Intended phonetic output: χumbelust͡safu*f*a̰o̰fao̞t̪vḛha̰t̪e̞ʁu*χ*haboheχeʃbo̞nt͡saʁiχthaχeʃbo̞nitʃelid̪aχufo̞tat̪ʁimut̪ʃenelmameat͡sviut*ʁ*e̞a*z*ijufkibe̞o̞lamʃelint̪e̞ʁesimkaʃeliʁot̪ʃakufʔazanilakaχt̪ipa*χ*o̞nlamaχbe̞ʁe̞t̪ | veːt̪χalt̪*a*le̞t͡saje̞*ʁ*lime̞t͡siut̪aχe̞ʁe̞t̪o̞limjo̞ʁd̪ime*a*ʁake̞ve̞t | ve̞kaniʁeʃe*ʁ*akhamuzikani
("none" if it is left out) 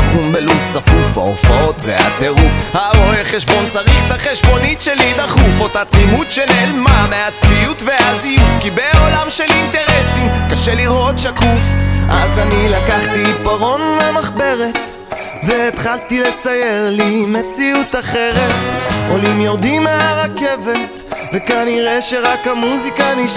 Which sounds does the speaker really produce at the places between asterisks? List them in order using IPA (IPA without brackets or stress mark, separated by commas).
f, f, v, z, ʁ, i, ʁ, a, ʁ